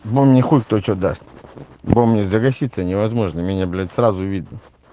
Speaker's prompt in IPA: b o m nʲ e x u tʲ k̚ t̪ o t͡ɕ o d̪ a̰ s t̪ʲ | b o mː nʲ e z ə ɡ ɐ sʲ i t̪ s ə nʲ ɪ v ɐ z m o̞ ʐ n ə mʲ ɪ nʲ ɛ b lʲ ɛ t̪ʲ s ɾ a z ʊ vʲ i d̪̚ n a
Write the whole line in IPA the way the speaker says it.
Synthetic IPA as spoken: b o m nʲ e x u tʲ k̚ t̪ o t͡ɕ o d̪ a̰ s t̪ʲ | b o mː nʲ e z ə ɡ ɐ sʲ i t̪ s ə nʲ ɪ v ɐ z m o̞ ʐ n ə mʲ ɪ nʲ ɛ b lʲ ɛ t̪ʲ s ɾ a z ʊ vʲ i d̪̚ n ə